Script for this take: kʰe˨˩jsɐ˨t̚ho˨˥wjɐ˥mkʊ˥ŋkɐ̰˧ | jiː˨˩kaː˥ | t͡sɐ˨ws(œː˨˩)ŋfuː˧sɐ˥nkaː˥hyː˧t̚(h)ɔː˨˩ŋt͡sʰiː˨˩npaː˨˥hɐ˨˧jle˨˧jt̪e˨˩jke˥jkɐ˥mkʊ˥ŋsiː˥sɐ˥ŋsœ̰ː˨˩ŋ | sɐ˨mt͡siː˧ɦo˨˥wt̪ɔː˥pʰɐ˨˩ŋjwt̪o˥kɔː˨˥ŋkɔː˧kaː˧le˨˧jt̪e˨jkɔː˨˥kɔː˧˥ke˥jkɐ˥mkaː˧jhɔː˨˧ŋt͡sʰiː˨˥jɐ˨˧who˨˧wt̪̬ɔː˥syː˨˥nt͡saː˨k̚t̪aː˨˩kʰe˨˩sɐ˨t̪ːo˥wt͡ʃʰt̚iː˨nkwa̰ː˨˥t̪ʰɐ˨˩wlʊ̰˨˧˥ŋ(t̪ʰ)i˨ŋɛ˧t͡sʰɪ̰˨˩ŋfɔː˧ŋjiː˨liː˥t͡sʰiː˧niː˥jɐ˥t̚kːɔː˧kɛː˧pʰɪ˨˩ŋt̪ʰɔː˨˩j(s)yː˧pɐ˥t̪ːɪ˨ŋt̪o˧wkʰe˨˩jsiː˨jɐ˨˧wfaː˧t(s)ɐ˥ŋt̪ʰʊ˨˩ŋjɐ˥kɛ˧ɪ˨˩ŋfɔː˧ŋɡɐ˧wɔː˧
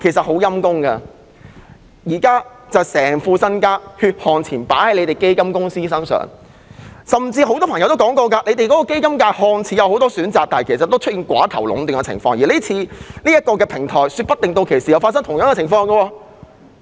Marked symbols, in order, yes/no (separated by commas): no, yes, no, yes, yes